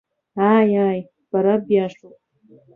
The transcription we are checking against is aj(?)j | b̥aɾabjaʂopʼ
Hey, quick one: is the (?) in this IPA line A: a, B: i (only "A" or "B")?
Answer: A